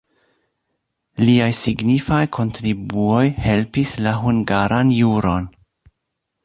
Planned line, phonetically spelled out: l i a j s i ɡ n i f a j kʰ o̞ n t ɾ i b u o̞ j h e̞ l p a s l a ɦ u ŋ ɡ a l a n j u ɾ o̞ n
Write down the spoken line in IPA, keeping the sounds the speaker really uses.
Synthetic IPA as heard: l i a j s i ɡ n i f a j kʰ o̞ n t ɾ i b u o̞ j h e̞ l p i s l a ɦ u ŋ ɡ a ɾ a n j u ɾ o̞ n